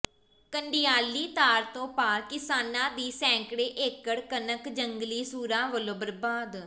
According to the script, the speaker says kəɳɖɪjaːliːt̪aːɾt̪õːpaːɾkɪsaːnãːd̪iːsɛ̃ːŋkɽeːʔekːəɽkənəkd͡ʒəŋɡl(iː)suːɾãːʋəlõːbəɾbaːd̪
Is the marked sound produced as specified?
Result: yes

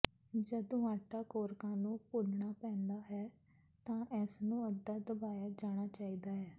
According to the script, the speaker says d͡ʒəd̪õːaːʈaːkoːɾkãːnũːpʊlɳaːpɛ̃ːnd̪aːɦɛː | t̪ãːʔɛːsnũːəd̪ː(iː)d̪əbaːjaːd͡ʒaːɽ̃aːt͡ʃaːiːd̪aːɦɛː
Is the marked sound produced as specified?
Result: no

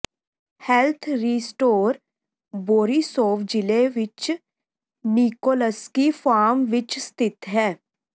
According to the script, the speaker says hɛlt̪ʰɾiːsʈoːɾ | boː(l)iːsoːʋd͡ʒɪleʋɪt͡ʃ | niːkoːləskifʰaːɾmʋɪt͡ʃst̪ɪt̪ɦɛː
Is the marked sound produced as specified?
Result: no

